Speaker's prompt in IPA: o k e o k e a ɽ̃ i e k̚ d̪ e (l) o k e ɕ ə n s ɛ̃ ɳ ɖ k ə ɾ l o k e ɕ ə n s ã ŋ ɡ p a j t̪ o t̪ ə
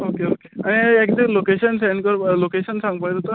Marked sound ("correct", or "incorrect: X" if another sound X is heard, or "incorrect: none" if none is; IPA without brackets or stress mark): correct